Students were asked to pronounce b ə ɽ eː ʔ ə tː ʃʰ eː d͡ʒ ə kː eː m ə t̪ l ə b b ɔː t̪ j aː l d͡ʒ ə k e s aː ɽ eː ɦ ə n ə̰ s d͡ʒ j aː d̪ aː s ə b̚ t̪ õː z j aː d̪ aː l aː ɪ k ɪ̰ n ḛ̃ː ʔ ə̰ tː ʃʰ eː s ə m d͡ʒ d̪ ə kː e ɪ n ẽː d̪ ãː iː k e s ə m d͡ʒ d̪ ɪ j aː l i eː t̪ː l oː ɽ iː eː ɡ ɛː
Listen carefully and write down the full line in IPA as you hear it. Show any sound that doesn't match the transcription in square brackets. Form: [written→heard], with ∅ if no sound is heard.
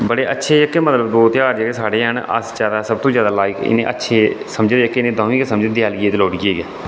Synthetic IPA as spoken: b ə ɽ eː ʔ ə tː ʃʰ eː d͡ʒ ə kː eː m ə t̪ l ə b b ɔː t̪ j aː [l→ɾ] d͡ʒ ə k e s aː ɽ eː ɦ ə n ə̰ s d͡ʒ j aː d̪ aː s ə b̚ t̪ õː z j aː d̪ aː l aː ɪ k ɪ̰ n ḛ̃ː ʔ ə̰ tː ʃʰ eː s ə m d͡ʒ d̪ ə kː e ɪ n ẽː d̪ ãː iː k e s ə m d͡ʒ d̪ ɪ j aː l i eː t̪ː l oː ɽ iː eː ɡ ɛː

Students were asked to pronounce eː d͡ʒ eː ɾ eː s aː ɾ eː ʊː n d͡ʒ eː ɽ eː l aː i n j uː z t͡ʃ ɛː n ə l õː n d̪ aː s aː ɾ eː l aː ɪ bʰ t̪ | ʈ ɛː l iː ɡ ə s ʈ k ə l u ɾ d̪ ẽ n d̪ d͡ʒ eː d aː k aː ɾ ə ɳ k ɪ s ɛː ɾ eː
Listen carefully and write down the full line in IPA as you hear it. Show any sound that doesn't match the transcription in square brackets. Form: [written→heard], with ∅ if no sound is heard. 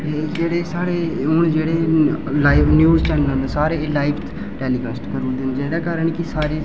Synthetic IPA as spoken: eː d͡ʒ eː [ɾ→ɽ] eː s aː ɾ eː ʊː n d͡ʒ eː ɽ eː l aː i n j uː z t͡ʃ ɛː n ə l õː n d̪ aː s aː ɾ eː l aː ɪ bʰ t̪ | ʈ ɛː l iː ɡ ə s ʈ k ə [l→ɾ] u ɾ d̪ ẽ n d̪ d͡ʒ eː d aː k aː ɾ ə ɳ k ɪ s [ɛː→aː] ɾ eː

